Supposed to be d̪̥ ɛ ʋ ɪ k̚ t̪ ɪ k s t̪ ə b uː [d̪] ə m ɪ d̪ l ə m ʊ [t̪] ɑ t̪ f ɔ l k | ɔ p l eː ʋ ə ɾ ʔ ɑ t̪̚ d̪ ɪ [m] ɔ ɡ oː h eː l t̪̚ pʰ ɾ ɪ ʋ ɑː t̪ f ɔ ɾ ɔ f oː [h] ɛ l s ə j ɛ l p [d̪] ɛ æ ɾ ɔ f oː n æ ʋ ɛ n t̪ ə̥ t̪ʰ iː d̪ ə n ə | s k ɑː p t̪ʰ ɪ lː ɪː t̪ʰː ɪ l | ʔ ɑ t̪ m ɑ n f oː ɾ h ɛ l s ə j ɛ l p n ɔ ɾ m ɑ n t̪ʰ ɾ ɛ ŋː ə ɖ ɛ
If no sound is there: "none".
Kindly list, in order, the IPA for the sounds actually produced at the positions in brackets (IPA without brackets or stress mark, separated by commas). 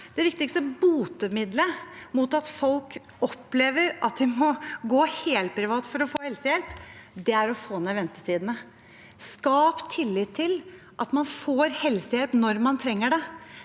t̪, t̪, m, h, d̪